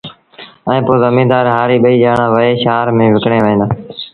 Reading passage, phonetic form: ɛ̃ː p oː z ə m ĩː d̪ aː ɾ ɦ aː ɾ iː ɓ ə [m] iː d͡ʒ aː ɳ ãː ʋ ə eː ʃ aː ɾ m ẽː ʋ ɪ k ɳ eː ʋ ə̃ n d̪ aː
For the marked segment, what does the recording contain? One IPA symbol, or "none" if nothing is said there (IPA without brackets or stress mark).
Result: none